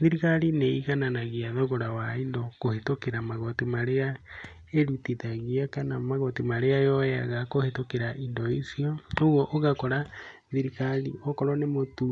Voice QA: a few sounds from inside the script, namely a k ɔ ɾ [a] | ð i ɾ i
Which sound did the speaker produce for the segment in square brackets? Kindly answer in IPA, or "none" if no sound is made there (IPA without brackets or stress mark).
a